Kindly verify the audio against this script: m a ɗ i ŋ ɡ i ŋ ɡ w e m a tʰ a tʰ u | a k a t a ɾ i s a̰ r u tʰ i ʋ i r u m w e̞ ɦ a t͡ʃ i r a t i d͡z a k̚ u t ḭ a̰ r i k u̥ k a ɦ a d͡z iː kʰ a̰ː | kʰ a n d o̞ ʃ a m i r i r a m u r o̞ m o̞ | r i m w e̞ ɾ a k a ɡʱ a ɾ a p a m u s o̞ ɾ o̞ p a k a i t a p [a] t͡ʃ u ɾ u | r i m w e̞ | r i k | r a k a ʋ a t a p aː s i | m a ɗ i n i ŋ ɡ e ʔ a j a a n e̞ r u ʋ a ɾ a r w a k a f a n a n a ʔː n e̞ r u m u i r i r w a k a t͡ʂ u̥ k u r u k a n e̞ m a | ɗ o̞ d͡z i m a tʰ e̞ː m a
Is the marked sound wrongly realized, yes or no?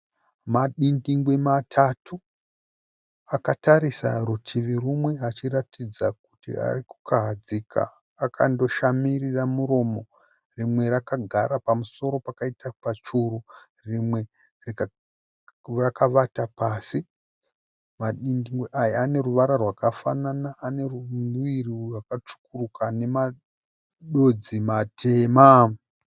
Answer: no